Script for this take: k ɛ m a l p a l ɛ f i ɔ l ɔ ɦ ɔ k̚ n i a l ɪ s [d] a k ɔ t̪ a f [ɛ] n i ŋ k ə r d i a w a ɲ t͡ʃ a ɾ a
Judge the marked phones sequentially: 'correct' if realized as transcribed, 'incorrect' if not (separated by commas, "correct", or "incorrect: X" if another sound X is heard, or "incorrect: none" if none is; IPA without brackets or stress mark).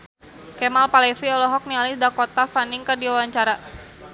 correct, incorrect: a